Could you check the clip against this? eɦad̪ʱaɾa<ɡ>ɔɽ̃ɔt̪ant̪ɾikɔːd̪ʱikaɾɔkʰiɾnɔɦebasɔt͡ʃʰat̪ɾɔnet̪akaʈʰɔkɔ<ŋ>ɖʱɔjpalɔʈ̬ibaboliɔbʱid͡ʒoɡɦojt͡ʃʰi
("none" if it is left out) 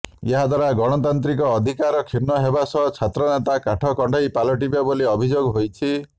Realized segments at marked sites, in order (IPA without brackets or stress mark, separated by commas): ɡ, ɳ